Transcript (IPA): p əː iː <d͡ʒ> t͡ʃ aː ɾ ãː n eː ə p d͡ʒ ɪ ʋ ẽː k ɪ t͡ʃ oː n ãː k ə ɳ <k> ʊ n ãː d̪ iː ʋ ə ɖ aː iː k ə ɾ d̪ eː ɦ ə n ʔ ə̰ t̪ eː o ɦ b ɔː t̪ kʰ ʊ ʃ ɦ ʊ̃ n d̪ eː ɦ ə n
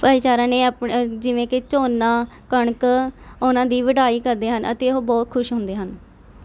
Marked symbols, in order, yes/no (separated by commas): no, yes